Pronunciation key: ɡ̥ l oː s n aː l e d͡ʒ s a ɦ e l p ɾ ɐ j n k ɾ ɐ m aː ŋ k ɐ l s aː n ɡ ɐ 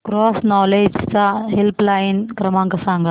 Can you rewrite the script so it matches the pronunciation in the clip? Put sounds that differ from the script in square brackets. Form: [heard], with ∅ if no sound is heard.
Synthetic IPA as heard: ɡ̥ [ɾ] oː s n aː l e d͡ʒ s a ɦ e l p [l] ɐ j n k ɾ ɐ m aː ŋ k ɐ [∅] s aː [ŋ] ɡ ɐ